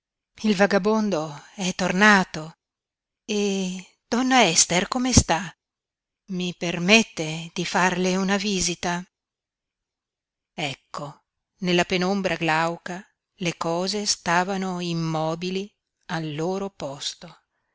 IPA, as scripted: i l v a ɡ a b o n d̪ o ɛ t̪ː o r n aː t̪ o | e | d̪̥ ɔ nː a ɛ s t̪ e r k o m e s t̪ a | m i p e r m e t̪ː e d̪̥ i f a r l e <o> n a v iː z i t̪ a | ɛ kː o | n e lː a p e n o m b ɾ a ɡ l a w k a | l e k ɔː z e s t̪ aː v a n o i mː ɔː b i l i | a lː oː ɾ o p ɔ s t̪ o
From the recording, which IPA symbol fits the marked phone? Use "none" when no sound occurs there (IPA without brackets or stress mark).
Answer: u